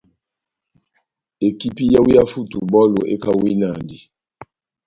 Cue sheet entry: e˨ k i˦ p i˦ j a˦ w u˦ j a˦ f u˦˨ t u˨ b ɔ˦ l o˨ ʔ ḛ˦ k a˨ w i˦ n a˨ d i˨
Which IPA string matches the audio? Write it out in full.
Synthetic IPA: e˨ k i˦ p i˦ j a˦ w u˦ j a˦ f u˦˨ t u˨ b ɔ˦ l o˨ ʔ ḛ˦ k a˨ w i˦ n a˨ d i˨